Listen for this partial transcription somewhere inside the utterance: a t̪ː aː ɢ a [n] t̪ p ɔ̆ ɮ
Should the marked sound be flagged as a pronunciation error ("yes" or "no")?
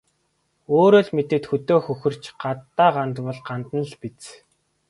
no